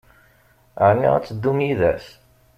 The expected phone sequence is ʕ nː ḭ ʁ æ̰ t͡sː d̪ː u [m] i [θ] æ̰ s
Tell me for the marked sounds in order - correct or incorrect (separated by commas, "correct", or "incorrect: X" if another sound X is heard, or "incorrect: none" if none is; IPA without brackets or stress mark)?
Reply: correct, incorrect: ð